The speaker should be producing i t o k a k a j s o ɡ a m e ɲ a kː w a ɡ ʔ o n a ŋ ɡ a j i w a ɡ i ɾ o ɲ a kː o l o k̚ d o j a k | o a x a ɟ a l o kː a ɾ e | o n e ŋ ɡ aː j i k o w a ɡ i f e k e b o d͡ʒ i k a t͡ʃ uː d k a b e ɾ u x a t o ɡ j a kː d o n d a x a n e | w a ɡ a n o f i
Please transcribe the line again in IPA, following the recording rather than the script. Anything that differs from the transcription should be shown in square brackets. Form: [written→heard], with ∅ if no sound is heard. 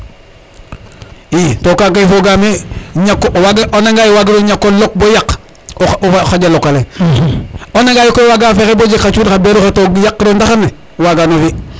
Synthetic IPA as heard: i t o k a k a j [s→f] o ɡ a m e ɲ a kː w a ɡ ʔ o n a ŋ ɡ a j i w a ɡ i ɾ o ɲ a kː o l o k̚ [d→b] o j a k | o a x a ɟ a l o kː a [ɾ→l] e | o n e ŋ ɡ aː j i k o w a ɡ [i→a] f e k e b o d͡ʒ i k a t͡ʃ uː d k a b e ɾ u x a t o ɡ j a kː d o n d a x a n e | w a ɡ a n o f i